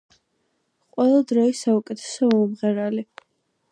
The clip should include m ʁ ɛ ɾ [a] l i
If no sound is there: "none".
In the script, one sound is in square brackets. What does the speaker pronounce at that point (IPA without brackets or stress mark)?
a